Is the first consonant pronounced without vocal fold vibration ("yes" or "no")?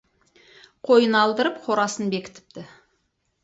yes